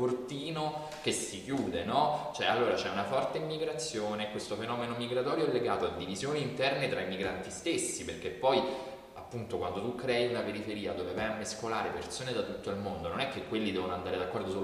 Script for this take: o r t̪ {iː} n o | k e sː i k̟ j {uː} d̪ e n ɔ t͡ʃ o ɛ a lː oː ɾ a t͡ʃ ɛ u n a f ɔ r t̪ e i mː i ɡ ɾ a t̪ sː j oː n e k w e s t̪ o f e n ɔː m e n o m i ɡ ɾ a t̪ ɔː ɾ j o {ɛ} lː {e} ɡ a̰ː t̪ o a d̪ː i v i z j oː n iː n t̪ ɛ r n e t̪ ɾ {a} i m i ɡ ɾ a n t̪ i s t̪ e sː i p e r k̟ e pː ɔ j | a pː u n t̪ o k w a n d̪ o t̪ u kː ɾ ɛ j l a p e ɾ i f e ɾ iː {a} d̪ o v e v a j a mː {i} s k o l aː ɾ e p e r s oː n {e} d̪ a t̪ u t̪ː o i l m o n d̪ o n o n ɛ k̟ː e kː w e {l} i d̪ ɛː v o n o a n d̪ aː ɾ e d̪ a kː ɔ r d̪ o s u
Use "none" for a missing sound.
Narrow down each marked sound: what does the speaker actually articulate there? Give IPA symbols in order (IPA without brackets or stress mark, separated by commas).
iː, uː, ɛ, e, a, a, e, e, lː